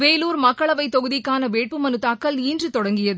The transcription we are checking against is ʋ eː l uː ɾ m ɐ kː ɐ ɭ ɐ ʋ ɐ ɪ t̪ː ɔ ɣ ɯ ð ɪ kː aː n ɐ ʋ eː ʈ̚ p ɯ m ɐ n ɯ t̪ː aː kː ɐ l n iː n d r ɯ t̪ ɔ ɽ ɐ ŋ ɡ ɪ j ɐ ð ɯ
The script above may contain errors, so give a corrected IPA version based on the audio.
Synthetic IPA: ʋ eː l uː ɾ m ɐ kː ɐ ɭ ɐ ʋ ɐ ɪ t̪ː ɔ ɣ ɯ ð ɪ kː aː n ɐ ʋ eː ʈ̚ p ɯ m ɐ n ɯ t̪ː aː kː ɐ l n iː n d r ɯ t̪ ɔ ɽ ɐ ŋ ɡ ɪ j ɐ ð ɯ